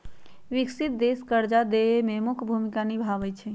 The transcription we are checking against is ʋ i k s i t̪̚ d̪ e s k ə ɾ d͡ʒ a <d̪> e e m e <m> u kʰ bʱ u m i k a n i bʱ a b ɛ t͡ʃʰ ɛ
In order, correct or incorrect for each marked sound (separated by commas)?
correct, correct